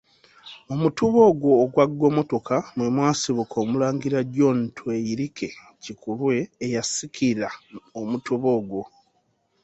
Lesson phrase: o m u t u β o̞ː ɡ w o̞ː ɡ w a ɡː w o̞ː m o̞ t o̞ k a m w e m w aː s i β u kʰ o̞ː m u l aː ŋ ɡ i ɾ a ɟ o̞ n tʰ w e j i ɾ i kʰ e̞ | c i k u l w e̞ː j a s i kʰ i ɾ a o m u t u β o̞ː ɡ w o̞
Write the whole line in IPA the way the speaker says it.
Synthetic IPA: o m u t u β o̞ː ɡ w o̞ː ɡ w a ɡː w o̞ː m o̞ t o̞ k a m w e m w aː s i β u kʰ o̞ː m u l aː ŋ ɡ i ɾ a ɟ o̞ n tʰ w e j i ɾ i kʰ e̞ | c i k u l w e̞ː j a s i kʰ i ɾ a o m u t u β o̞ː ɡ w o̞